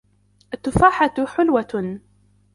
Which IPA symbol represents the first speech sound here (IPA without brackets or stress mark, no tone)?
ʔ